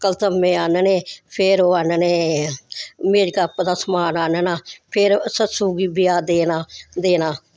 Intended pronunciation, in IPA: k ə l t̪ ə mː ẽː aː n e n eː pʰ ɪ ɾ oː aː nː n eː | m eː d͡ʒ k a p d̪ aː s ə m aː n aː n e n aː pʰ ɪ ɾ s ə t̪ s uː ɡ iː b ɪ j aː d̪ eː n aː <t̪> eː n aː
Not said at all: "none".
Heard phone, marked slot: d̪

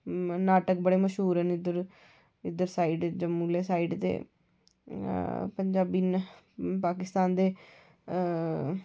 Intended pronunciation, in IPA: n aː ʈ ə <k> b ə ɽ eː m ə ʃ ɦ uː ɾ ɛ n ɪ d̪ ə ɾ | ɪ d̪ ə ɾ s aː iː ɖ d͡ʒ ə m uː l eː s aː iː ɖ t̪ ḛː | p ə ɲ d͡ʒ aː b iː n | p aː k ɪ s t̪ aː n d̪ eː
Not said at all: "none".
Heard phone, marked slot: k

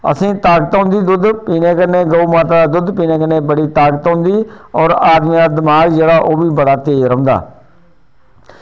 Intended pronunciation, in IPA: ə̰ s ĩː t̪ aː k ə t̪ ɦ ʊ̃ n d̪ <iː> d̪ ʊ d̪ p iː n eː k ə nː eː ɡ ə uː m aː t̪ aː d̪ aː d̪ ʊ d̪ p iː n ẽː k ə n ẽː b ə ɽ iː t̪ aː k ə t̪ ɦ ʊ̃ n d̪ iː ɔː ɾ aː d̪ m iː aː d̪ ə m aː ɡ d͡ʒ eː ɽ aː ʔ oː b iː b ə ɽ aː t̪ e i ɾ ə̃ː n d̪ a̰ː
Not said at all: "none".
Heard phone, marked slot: iː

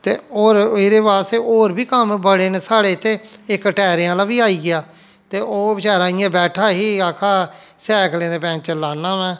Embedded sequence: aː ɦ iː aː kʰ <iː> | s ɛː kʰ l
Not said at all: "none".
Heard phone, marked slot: aː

